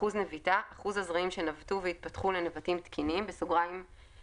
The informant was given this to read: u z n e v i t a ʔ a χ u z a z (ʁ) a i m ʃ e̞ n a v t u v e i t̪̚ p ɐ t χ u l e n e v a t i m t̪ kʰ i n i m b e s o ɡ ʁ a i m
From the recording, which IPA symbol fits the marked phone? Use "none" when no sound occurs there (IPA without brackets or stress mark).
ʁ